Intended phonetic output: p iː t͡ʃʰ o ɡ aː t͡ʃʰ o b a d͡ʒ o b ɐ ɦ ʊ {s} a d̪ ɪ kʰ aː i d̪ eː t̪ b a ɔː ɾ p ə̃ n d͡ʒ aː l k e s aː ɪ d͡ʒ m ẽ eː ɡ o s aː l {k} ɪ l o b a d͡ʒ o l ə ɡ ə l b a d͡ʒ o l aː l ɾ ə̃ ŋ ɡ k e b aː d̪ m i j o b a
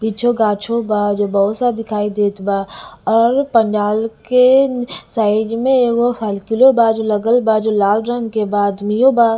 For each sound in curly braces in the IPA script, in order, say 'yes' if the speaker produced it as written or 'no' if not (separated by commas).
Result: yes, yes